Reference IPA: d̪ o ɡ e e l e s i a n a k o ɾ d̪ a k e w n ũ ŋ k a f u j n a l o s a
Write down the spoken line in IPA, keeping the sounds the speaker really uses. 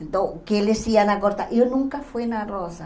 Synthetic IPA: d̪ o k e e l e s i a n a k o ɾ t̪ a ʔ e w n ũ ŋ k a f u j n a r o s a